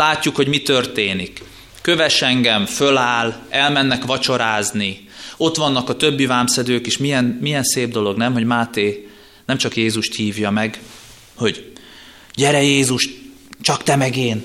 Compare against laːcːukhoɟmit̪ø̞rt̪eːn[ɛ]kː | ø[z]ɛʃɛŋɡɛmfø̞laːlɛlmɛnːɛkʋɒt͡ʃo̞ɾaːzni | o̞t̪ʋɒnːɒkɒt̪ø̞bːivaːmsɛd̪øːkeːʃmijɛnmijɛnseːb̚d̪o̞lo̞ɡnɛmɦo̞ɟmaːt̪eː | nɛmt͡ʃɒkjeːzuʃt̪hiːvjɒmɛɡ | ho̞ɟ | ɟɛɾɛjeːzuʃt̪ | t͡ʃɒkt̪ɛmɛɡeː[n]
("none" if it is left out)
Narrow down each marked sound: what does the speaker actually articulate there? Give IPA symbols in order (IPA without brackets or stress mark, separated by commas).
i, v, n